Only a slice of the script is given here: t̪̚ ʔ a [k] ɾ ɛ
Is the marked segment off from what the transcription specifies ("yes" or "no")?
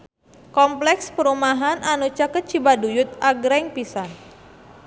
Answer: yes